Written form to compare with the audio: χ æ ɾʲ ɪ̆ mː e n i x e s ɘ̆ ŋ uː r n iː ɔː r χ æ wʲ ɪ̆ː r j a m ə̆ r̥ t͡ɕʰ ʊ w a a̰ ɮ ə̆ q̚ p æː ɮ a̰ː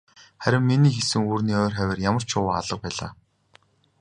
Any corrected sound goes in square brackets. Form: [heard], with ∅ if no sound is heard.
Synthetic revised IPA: χ æ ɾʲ ɪ̆ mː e n [iː] x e s ɘ̆ ŋ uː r n iː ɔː r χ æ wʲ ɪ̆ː r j a m ə̆ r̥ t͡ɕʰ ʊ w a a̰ ɮ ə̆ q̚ p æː ɮ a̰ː